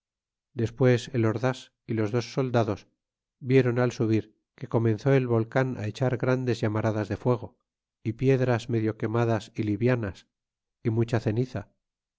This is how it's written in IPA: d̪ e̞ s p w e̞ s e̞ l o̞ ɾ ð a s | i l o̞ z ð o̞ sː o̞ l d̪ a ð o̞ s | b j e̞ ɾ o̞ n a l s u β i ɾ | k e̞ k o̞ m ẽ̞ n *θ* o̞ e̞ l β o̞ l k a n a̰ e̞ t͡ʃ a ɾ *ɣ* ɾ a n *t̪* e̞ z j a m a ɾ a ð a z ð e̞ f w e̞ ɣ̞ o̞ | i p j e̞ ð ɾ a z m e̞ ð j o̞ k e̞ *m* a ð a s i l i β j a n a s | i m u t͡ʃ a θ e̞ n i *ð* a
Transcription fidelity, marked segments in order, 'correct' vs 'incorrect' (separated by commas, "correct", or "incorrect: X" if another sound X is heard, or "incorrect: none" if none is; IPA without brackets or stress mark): correct, correct, incorrect: d̪, correct, incorrect: θ